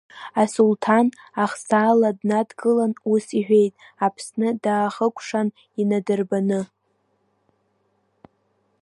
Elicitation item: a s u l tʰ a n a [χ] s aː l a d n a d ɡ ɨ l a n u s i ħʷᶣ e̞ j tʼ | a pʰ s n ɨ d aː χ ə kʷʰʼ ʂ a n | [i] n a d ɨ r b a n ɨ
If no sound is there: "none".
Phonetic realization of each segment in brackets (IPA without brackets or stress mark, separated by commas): χ, i